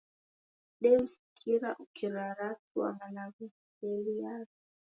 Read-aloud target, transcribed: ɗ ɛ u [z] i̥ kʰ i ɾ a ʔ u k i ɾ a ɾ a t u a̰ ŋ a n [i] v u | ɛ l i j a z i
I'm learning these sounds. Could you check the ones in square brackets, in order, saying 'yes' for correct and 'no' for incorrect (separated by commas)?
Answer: no, no